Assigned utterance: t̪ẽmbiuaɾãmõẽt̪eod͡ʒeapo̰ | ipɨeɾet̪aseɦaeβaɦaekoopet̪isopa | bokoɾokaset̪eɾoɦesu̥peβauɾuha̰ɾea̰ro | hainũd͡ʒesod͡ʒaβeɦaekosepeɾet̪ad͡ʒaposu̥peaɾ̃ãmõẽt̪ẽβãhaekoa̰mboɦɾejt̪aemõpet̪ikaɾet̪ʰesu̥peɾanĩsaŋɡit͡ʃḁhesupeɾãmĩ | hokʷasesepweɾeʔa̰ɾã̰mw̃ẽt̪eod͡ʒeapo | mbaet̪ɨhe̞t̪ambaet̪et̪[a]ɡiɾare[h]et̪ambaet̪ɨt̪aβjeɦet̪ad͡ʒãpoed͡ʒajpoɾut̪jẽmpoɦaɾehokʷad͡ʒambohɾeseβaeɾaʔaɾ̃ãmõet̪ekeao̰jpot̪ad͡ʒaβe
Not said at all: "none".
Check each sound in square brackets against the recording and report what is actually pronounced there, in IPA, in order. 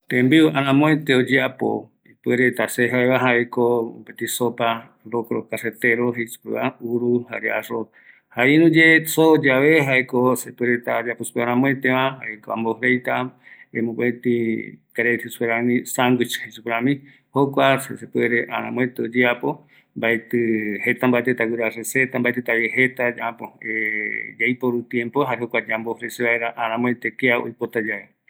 a, s

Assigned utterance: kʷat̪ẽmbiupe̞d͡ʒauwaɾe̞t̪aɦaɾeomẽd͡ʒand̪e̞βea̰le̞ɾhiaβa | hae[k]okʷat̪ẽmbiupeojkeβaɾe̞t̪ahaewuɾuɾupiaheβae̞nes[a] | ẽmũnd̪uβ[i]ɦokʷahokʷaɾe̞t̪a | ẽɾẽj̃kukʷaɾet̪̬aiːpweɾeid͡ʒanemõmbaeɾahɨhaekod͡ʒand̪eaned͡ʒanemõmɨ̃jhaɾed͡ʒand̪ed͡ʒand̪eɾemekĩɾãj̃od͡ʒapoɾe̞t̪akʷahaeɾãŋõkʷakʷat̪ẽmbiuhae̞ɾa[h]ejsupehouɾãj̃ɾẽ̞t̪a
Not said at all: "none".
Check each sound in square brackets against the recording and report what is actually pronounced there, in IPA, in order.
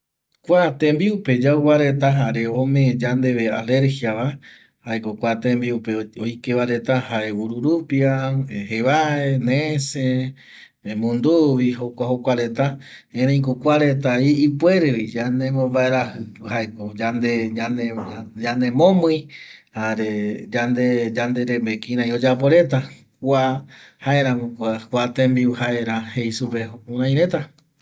k, e, i, h

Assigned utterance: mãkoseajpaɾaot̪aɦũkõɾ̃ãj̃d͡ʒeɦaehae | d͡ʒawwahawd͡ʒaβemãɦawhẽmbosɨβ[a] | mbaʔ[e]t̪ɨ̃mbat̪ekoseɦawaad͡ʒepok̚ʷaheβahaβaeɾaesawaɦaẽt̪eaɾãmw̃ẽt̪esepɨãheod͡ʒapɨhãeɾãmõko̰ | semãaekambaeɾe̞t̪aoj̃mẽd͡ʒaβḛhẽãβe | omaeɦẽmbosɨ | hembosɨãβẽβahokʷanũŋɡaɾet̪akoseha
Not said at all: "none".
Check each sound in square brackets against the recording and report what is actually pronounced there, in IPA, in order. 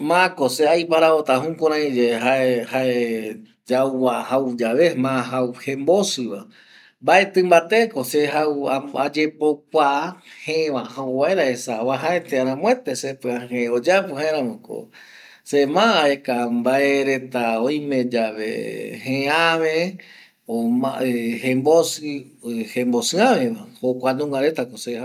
a, e

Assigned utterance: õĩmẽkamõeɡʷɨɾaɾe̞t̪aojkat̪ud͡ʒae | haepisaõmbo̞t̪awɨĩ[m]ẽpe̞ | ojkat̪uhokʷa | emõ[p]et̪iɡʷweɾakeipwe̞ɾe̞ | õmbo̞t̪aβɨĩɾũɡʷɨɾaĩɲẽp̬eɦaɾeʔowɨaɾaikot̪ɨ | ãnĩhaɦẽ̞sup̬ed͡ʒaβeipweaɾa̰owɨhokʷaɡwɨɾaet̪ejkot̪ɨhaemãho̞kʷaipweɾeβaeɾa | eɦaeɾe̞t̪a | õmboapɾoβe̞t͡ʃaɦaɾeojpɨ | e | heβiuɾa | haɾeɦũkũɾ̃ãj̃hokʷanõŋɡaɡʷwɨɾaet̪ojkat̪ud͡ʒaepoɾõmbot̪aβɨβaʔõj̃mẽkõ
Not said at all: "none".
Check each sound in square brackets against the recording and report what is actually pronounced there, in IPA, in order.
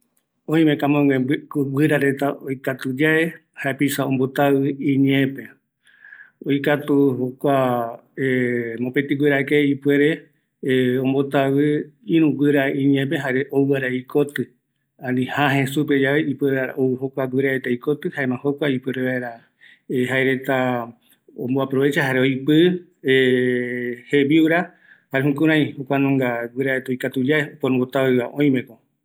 ɲ, p

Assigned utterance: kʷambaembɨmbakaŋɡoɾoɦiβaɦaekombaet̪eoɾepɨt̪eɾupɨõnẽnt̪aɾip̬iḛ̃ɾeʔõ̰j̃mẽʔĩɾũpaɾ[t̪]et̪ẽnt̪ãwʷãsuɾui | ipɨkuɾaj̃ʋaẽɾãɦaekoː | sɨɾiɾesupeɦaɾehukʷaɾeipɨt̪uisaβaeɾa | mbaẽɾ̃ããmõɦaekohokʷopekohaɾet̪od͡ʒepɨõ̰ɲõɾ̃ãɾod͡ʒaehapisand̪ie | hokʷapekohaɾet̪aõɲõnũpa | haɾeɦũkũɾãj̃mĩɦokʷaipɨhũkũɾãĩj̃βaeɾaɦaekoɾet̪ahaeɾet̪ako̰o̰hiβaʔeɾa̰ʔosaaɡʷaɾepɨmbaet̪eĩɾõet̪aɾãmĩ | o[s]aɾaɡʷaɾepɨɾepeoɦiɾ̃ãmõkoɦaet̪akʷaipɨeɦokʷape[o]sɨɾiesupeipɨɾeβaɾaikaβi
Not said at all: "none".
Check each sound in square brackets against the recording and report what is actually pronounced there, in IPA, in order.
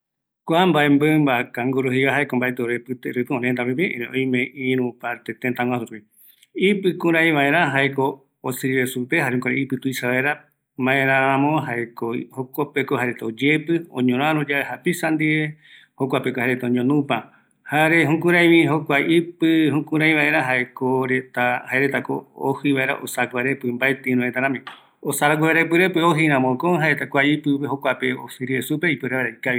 t̪, s, o

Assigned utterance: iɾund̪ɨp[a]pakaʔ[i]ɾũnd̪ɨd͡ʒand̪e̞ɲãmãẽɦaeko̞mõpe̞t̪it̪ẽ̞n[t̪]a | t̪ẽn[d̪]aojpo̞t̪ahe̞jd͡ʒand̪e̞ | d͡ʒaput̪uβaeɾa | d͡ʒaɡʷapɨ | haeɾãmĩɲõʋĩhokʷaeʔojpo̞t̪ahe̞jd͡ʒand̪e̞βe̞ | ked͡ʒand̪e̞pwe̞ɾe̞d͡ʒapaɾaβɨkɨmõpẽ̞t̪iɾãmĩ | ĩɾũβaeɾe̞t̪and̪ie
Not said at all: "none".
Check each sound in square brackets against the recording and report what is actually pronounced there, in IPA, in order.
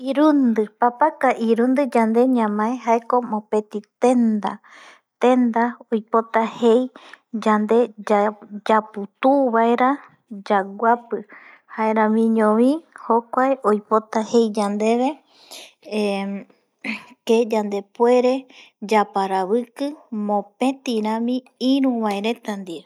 a, i, d̪, d̪

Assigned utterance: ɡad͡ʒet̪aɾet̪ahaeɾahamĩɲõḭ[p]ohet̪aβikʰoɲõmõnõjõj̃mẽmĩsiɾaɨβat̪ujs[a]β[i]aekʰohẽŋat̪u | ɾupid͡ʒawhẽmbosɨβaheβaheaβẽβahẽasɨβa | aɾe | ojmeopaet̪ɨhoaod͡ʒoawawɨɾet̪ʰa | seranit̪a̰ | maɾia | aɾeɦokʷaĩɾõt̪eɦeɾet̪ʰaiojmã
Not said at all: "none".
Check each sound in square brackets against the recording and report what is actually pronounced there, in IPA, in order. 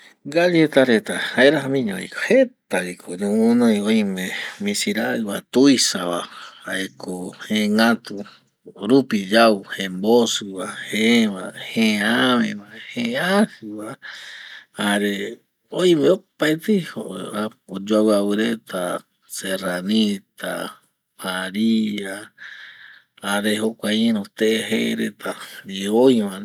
k, a, a

